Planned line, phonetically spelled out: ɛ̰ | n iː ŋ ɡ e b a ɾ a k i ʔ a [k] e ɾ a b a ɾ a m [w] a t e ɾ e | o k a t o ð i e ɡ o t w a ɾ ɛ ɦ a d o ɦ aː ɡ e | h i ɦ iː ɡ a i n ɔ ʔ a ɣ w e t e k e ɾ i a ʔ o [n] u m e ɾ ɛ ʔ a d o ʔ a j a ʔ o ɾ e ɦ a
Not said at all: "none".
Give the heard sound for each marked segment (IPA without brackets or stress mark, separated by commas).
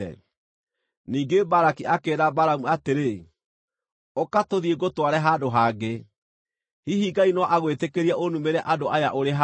k, u, n